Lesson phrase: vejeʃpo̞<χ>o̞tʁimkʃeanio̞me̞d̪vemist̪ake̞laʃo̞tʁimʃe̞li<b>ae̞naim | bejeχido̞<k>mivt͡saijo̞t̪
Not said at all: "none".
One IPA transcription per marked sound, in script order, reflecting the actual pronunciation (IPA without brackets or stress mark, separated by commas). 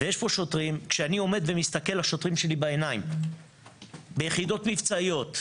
ʃ, b, t